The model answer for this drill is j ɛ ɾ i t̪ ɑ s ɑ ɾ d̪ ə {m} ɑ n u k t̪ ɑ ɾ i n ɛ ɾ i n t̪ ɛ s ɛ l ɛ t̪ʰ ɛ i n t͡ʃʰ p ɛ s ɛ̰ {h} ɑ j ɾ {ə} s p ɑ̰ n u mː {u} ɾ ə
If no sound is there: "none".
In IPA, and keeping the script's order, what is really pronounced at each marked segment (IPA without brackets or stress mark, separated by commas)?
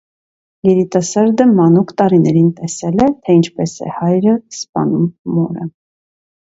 m, h, ə, ɔ